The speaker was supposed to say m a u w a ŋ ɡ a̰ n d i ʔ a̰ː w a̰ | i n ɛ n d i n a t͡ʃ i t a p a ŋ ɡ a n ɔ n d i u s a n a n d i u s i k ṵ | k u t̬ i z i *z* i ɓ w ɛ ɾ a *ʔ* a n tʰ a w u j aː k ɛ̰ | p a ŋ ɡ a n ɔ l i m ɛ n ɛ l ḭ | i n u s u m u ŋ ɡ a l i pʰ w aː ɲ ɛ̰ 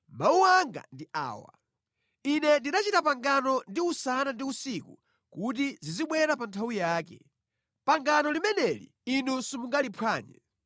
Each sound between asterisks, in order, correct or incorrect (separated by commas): correct, incorrect